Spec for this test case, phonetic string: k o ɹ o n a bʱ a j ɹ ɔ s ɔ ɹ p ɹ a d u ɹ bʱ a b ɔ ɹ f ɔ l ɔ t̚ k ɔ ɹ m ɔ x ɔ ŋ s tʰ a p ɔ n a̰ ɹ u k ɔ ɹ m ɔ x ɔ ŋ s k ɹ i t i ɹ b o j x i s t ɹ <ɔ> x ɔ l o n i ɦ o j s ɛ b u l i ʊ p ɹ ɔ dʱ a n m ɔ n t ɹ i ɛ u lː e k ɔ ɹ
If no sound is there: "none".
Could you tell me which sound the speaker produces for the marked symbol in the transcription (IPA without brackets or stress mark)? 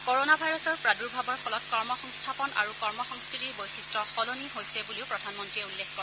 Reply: ɔ